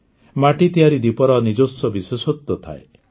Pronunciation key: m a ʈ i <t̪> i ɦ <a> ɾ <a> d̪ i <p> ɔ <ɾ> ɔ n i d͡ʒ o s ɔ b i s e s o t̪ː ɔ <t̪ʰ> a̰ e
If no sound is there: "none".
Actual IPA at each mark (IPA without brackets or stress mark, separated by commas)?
t̪, a, i, p, ɾ, t̪ʰ